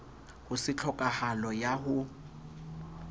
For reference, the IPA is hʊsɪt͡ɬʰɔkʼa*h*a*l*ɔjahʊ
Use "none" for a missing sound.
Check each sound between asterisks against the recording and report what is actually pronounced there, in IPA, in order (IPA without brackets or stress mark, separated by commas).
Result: h, l